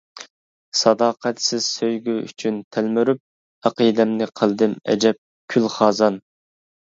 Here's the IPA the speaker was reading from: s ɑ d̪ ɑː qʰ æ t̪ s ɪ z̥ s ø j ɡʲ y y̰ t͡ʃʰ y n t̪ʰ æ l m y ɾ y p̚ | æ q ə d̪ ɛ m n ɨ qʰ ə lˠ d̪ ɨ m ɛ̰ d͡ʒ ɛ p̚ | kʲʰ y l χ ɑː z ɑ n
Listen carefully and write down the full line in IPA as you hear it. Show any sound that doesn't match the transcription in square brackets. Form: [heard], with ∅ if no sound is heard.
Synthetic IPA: s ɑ d̪ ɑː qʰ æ t̪ s ɪ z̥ s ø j ɡʲ y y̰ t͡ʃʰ y n t̪ʰ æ l m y ɾ y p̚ | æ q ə d̪ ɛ m n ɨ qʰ ə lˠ d̪ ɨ m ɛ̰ d͡ʒ ɛ p̚ | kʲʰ y l χ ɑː z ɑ n

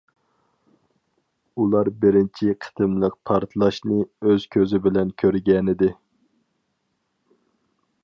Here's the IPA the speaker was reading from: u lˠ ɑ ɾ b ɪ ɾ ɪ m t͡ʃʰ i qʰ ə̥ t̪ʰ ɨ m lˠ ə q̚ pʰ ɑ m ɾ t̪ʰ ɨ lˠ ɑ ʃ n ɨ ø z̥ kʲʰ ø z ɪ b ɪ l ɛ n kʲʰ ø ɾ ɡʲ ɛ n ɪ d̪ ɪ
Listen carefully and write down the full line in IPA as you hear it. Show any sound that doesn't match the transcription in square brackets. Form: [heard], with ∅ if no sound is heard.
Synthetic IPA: u lˠ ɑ ɾ b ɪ ɾ ɪ [n] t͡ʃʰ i qʰ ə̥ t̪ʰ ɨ m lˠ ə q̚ pʰ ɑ [∅] ɾ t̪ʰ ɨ lˠ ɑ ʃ n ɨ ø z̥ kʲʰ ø z ɪ b ɪ l ɛ n kʲʰ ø ɾ ɡʲ ɛ n ɪ d̪ ɪ

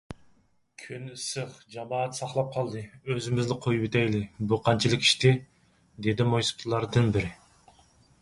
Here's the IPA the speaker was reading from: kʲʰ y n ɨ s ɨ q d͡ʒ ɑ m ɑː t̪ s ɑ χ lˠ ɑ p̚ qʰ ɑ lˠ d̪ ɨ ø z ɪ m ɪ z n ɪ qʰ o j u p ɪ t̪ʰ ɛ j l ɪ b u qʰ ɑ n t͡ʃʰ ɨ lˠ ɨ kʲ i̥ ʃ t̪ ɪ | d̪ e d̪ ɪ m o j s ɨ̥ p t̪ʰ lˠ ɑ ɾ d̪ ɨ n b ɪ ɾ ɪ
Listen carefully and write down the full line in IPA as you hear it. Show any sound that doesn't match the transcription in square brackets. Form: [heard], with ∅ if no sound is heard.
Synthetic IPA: kʲʰ y n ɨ s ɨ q d͡ʒ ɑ m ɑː t̪ s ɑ χ lˠ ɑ p̚ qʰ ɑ lˠ d̪ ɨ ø z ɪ m ɪ z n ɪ qʰ o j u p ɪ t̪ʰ ɛ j l ɪ b u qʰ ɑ n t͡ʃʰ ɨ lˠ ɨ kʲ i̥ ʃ t̪ ɪ | d̪ e d̪ ɪ m o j s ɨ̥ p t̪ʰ lˠ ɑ ɾ d̪ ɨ n b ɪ ɾ ɪ

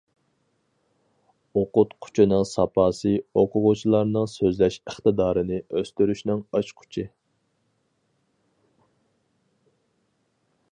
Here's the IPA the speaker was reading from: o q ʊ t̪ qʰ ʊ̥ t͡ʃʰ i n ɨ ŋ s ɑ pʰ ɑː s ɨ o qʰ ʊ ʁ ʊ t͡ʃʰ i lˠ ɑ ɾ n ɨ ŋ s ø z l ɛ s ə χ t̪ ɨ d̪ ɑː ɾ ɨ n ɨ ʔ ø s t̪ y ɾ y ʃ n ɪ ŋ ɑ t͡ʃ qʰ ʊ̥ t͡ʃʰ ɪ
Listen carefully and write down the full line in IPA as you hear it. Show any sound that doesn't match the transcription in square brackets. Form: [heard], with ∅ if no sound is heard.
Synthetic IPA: o q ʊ t̪ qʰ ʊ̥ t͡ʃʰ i n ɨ ŋ s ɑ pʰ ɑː s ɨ o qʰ ʊ ʁ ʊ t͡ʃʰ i lˠ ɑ ɾ n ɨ ŋ s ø z l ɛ [ʃ] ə χ t̪ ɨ d̪ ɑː ɾ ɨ n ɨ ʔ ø s t̪ y ɾ y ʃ n ɪ ŋ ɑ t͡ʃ qʰ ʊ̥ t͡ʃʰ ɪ

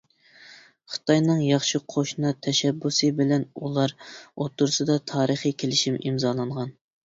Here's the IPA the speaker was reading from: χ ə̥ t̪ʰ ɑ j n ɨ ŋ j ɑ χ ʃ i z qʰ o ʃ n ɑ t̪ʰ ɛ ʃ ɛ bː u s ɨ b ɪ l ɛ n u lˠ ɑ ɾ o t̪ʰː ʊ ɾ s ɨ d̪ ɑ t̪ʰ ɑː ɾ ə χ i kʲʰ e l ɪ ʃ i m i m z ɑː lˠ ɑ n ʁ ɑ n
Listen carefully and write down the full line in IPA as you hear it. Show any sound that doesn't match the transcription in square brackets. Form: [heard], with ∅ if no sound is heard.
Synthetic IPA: χ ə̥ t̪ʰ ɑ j n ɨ ŋ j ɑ χ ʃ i [∅] qʰ o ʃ n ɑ t̪ʰ ɛ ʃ ɛ bː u s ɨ b ɪ l ɛ n u lˠ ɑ ɾ o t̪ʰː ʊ ɾ s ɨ d̪ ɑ t̪ʰ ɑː ɾ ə χ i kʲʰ e l ɪ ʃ i m i m z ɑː lˠ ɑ [ɴ] ʁ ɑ n

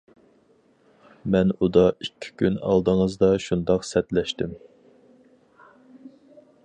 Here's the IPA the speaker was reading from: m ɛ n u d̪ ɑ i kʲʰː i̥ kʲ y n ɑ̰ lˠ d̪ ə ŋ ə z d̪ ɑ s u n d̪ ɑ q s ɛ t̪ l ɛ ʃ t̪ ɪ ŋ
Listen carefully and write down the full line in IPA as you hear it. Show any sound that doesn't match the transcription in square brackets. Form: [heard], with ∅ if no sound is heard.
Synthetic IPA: m ɛ n u d̪ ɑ i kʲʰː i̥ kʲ y n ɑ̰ lˠ d̪ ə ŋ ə z d̪ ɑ [ʃ] u n d̪ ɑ q s ɛ t̪ l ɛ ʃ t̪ ɪ [m]

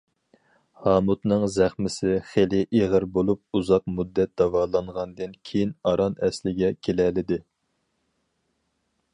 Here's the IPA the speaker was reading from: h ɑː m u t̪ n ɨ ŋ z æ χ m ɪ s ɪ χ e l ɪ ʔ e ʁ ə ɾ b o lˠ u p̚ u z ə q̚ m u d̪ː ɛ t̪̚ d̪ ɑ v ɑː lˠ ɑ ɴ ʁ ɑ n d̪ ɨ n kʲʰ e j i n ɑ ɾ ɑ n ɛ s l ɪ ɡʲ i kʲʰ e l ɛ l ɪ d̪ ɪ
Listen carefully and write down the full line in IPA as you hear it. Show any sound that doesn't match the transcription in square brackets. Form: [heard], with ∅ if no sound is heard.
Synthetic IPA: h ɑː m u t̪ n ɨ ŋ z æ χ m ɪ s ɪ χ e l ɪ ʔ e ʁ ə ɾ b o lˠ u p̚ u z [ɑ] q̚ m u d̪ː ɛ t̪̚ d̪ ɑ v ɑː lˠ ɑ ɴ ʁ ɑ n d̪ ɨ n kʲʰ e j i n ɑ ɾ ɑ n ɛ s l ɪ ɡʲ [ɛ] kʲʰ e l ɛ l ɪ d̪ ɪ

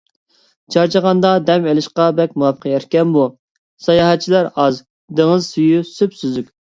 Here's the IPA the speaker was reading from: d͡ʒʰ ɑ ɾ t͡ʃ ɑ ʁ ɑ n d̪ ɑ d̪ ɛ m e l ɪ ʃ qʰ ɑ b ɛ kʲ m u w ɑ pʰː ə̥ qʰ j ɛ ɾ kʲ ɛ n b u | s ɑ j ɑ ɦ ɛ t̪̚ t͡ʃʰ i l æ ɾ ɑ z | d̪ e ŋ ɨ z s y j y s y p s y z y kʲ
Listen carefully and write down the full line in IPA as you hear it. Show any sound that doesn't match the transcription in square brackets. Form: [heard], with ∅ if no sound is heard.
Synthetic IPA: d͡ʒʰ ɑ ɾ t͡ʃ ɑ ʁ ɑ n d̪ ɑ d̪ ɛ m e l ɪ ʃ [q] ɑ b ɛ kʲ m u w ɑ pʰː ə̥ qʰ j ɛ ɾ kʲ ɛ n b u | s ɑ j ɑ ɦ ɛ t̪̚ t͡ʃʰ i l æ ɾ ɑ z | d̪ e ŋ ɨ z s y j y s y p s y z y kʲ

